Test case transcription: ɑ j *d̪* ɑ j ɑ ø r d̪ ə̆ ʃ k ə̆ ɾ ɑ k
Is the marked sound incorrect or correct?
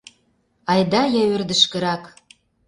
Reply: correct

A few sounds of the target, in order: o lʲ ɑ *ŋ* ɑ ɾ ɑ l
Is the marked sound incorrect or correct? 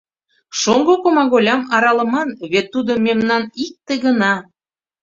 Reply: incorrect: m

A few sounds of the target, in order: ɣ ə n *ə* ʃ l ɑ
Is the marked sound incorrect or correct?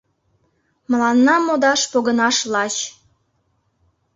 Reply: incorrect: ɑ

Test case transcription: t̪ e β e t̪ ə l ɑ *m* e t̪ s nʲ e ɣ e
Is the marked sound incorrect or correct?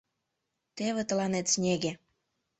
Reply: incorrect: n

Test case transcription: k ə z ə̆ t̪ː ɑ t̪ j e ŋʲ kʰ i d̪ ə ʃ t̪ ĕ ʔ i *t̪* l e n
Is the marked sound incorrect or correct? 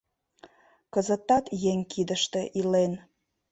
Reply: incorrect: none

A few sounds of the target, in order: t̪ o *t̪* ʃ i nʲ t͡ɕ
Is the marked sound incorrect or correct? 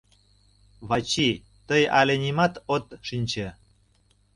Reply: correct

